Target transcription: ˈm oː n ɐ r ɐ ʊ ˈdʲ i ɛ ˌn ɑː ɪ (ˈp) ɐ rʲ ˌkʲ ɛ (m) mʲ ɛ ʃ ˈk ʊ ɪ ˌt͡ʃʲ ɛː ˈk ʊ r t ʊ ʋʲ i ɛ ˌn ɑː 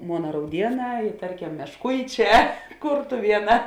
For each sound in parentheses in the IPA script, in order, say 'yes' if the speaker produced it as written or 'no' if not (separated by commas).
no, yes